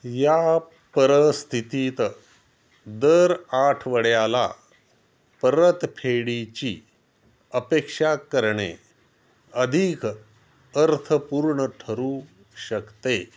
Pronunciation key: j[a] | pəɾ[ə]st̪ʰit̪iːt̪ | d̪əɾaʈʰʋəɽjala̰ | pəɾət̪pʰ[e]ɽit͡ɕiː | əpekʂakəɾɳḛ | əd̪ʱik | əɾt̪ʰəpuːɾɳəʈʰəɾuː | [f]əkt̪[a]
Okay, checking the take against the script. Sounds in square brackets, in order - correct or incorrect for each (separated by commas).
correct, correct, correct, incorrect, incorrect